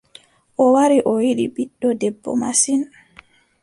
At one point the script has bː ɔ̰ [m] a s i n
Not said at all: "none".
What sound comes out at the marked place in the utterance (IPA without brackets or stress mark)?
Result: m